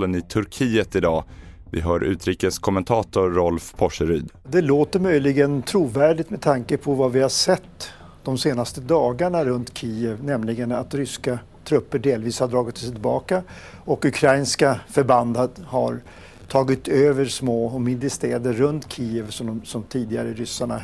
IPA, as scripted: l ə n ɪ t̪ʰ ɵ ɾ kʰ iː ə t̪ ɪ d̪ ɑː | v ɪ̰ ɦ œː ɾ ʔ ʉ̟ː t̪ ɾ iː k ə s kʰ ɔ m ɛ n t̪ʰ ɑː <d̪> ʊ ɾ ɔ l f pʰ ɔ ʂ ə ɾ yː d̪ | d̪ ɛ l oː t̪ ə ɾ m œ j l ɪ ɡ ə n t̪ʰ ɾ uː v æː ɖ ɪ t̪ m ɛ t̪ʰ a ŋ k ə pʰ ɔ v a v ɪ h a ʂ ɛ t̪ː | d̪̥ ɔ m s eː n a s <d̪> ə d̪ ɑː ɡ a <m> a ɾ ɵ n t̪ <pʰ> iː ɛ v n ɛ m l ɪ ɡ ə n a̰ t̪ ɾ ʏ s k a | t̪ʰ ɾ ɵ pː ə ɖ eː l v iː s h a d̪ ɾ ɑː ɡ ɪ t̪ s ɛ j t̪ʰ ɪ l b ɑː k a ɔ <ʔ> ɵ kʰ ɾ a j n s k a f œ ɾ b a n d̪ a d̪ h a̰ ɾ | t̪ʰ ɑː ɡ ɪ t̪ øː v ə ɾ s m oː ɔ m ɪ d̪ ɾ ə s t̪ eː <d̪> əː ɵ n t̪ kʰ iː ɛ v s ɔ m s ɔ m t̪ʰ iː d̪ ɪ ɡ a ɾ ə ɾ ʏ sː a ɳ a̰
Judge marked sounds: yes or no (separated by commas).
no, no, no, no, no, yes